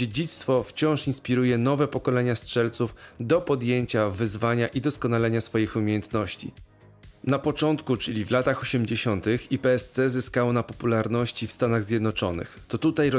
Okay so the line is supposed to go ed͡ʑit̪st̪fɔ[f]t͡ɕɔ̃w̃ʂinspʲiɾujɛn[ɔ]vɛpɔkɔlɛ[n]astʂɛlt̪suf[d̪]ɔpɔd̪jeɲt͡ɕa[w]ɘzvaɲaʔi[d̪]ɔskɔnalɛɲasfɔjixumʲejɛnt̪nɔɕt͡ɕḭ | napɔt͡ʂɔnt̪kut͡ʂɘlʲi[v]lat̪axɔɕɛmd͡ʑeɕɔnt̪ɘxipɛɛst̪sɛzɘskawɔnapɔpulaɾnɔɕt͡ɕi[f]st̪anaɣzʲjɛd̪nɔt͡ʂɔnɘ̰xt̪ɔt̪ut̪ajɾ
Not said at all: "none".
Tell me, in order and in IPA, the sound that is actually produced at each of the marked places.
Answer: f, ɔ, ɲ, d̪, v, d̪, v, f

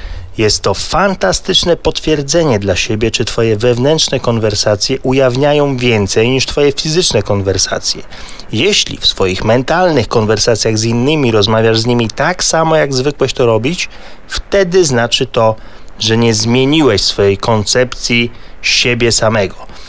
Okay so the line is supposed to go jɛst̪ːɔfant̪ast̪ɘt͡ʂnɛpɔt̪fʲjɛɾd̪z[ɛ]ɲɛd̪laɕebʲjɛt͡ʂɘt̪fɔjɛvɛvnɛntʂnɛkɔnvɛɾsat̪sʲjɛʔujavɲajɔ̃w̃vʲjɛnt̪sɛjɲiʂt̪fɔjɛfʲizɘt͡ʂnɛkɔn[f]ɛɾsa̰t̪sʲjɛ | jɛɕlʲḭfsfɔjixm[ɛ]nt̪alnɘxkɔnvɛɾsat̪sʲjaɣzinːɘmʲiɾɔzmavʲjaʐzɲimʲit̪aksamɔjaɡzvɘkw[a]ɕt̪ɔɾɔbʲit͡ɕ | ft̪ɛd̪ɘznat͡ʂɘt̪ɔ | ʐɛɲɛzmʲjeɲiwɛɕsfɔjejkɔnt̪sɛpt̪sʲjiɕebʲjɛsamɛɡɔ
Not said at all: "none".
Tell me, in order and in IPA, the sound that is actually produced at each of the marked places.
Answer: ɛ, v, ɛ, ɛ

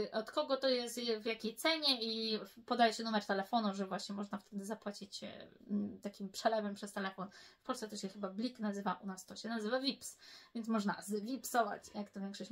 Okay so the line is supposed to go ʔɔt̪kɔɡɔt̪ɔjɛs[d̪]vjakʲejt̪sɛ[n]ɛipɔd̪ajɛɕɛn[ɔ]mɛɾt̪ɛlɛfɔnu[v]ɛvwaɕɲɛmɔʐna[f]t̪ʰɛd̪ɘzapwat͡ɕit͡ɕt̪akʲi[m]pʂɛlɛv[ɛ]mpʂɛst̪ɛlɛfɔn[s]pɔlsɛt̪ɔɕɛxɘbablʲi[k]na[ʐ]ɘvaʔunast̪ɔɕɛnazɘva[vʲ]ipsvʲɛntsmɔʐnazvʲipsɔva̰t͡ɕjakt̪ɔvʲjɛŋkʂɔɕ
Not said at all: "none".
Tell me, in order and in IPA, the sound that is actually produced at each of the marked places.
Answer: t̪, ɲ, u, ʐ, f, m, ɛ, f, k, z, vʲ

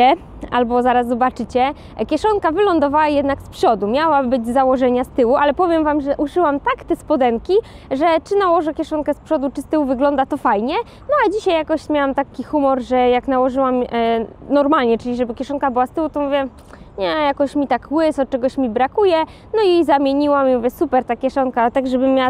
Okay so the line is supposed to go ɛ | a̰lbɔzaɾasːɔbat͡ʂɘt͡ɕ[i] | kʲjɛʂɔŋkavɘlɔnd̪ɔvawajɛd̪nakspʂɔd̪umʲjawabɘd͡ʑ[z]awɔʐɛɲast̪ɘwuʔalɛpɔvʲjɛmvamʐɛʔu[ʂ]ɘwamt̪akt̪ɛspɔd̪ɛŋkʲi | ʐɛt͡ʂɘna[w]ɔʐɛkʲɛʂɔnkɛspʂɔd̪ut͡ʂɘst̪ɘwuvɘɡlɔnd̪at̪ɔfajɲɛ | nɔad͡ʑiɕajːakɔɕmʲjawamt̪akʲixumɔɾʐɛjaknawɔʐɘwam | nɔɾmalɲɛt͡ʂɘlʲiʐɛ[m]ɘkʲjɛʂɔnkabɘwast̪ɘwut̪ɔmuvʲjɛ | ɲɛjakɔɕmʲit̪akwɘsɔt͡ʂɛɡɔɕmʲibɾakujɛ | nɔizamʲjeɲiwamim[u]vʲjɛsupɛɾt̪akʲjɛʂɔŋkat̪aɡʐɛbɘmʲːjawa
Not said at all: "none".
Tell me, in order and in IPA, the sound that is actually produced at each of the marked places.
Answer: ɛ, z, ʂ, w, b, u

